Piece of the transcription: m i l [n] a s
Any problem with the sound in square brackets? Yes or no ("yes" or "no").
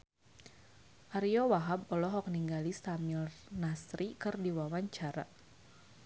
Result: no